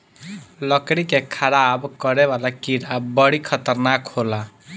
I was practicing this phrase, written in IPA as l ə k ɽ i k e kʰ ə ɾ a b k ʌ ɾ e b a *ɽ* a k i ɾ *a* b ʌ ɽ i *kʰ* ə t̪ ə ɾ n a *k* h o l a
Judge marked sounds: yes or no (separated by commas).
no, yes, yes, yes